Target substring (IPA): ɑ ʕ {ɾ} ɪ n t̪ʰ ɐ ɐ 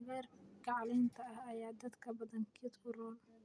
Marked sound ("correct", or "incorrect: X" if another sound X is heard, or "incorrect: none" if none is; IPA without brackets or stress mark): incorrect: l